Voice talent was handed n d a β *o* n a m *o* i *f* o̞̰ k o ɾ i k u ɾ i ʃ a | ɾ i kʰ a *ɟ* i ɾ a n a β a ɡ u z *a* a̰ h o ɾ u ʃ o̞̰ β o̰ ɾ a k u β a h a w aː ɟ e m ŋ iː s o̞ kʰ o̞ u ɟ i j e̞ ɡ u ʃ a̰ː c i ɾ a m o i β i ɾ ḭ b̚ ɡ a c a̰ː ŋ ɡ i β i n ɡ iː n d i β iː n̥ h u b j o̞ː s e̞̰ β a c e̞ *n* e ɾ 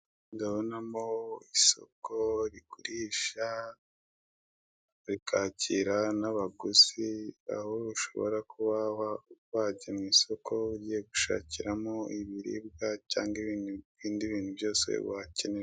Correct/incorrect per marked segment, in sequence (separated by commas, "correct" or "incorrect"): correct, correct, incorrect, incorrect, incorrect, correct